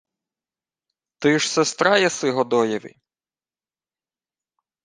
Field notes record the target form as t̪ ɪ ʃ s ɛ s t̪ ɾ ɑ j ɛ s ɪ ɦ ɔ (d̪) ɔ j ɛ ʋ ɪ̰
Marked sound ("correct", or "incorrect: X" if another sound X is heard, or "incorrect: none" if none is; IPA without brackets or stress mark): correct